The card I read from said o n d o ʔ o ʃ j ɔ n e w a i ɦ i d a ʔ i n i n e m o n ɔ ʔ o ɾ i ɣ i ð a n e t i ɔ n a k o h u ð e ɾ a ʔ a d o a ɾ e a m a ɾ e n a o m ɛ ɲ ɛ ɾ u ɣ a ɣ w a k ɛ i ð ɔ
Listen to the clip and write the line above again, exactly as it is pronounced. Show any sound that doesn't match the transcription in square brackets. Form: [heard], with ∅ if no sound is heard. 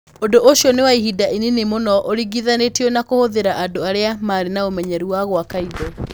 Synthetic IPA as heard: o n d o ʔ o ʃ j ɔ n e w a i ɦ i d a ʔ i n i n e m o n ɔ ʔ o ɾ i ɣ i ð a n e t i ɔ n a k o h [o] ð e ɾ a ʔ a d o a ɾ e a m a ɾ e n a o m ɛ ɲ ɛ ɾ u [w] a ɣ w a k [a] i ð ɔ